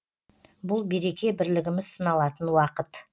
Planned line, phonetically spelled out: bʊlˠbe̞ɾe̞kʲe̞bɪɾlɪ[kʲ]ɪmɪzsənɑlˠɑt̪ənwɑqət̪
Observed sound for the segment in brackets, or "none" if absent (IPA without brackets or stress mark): ɡʲ